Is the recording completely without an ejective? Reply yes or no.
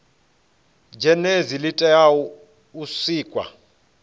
no